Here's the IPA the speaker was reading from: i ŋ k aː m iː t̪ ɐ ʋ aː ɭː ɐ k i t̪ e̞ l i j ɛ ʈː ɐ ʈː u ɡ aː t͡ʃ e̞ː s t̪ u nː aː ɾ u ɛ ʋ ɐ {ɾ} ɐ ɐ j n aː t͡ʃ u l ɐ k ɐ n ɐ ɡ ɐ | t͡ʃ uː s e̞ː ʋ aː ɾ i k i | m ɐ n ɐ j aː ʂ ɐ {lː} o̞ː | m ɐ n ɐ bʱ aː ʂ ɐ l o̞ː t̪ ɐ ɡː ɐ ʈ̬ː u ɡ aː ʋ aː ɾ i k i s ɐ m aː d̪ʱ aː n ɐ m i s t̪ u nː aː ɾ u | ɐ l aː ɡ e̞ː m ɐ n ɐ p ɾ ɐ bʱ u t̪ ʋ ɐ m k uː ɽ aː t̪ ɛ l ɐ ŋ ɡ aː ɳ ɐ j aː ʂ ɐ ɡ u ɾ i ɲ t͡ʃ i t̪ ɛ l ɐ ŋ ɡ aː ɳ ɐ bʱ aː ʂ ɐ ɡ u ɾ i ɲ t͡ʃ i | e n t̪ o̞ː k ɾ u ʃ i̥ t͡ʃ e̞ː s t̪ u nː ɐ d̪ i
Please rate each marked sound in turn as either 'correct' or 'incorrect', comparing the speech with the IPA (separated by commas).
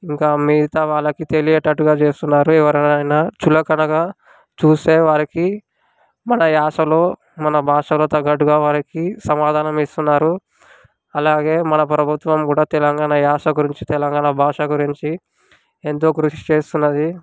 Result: correct, incorrect